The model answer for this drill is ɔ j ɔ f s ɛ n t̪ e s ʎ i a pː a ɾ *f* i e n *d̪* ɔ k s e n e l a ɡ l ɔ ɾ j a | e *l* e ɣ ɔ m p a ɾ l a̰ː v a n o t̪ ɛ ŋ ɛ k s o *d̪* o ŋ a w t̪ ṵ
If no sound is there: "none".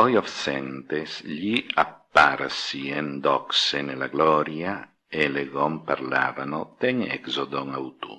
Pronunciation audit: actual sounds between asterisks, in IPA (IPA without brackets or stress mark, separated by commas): s, d̪, l, d̪